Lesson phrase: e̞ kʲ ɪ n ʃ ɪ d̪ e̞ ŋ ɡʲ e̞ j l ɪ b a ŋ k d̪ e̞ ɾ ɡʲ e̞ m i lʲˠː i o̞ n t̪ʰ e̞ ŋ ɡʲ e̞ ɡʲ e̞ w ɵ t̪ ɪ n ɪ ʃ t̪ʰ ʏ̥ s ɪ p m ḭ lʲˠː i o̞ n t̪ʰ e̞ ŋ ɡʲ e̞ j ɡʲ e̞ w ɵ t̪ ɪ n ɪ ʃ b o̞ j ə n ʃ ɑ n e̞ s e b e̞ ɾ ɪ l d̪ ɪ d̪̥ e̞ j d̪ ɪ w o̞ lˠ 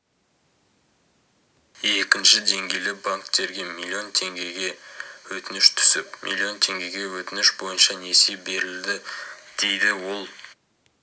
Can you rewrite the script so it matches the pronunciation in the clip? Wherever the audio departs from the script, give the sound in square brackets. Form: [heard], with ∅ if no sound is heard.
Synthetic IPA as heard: e̞ kʲ ɪ n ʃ ɪ d̪ e̞ ŋ ɡʲ e̞ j l ɪ b a ŋ k [t̪] e̞ ɾ ɡʲ e̞ m i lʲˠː i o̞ n t̪ʰ e̞ ŋ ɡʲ e̞ ɡʲ e̞ w ɵ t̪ ɪ n ɪ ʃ t̪ʰ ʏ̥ s ɪ p m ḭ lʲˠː i o̞ n t̪ʰ e̞ ŋ ɡʲ e̞ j ɡʲ e̞ w ɵ t̪ ɪ n ɪ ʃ b o̞ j ə n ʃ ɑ n e̞ s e b e̞ ɾ ɪ l d̪ ɪ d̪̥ e̞ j d̪ ɪ w o̞ lˠ

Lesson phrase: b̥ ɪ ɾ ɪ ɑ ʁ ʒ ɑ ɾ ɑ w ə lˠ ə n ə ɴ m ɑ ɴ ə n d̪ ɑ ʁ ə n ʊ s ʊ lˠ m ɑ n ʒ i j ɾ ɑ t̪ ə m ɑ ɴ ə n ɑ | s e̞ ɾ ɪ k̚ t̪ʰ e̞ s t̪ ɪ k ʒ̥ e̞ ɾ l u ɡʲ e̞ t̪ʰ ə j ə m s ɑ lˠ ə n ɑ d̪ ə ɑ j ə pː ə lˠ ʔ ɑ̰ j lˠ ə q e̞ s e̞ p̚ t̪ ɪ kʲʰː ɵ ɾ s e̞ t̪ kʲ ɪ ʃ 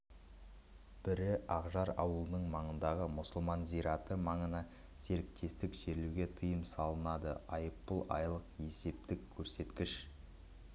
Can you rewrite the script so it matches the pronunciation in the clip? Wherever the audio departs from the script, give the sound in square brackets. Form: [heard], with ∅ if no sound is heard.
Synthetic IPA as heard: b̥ ɪ ɾ ɪ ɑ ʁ ʒ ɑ ɾ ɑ w ə lˠ ə n ə ɴ m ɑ ɴ ə n d̪ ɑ ʁ ə [m] ʊ s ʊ lˠ m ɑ n [z] i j ɾ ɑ t̪ ə m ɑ ɴ ə n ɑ | s e̞ ɾ ɪ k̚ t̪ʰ e̞ s t̪ ɪ k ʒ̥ e̞ ɾ l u ɡʲ e̞ t̪ʰ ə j ə m s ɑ lˠ ə n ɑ d̪ ə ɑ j ə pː ə lˠ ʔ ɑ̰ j lˠ ə q e̞ s e̞ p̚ t̪ ɪ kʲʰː ɵ ɾ s e̞ t̪ kʲ ɪ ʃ

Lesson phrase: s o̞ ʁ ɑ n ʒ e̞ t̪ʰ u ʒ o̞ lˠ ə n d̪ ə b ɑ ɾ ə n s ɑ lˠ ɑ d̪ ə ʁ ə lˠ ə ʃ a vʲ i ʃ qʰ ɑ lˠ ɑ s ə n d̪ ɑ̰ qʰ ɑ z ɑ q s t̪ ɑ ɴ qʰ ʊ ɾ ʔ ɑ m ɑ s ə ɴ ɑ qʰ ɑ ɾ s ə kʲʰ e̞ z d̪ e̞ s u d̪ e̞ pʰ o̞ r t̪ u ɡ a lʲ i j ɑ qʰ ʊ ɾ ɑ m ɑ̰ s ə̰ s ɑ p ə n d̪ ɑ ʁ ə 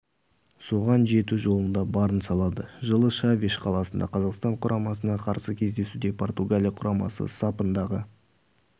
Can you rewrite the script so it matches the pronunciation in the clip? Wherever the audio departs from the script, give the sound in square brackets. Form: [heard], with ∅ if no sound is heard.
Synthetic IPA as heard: s o̞ ʁ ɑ n ʒ e̞ [t̪] u ʒ o̞ lˠ ə n d̪ [ɑ] b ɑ ɾ ə n s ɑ lˠ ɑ d̪ ə [ʒ] ə lˠ ə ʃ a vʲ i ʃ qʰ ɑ lˠ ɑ s ə n d̪ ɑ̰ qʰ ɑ z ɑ q s t̪ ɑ ɴ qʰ ʊ ɾ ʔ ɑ m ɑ s ə [n] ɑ qʰ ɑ ɾ s ə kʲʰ e̞ z d̪ e̞ s u d̪ e̞ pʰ o̞ r t̪ u ɡ a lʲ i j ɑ qʰ ʊ ɾ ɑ m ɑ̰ s ə̰ s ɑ p ə n d̪ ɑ ʁ ə

